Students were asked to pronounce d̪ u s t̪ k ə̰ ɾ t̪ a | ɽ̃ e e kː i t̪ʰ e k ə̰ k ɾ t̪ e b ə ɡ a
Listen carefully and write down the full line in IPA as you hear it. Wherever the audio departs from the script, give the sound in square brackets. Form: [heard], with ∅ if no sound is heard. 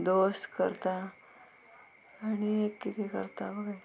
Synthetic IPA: d̪ [o] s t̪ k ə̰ ɾ t̪ a | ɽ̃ [i] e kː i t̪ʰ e k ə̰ [∅] ɾ t̪ [a] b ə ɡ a